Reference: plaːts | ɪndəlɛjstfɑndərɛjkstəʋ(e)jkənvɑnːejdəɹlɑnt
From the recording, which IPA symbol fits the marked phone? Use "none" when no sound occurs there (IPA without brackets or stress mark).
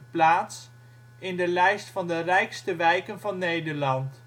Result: ɛ